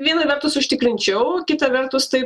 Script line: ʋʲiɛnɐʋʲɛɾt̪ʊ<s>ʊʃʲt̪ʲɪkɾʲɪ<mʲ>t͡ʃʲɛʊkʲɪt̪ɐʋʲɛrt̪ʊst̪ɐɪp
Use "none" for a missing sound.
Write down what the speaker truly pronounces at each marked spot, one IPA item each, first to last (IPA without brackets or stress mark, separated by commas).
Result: s, nʲ